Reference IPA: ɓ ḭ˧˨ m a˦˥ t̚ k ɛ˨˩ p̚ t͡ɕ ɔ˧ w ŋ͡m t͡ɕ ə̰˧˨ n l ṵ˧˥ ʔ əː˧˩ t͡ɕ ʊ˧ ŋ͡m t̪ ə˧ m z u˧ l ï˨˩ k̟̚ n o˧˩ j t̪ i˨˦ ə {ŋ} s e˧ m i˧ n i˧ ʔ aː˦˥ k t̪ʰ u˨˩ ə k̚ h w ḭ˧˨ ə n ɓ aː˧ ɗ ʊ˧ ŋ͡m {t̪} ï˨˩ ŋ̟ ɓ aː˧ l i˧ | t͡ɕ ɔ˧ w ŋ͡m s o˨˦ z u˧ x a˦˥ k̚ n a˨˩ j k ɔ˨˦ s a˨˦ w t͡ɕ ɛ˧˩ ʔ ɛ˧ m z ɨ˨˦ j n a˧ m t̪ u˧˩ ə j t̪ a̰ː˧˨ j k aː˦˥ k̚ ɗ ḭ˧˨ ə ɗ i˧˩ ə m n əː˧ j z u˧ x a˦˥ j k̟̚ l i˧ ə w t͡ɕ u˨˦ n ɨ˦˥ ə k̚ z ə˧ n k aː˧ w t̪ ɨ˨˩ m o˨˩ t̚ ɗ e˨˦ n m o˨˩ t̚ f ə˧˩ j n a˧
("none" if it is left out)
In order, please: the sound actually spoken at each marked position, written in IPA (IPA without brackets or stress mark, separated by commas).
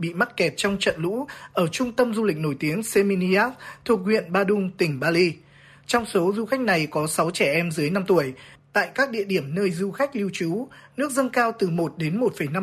ŋ, t̪